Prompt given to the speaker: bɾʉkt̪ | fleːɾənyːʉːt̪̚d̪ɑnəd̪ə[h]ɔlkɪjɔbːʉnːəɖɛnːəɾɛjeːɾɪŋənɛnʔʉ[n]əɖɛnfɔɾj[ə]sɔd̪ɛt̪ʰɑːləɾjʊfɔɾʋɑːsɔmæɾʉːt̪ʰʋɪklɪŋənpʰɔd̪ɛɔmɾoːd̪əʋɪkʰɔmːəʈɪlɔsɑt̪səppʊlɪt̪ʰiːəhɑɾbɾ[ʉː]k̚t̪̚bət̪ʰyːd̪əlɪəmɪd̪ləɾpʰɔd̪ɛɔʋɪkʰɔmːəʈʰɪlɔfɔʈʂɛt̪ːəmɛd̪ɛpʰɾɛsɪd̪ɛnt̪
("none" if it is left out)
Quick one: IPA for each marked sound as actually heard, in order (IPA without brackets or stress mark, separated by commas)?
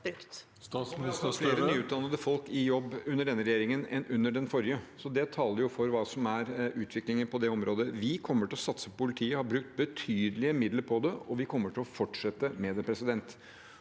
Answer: f, nː, ə, ʉ